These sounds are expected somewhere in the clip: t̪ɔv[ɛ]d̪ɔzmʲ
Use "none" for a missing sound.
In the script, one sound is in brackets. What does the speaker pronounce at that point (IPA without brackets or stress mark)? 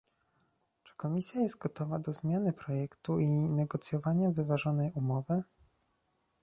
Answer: a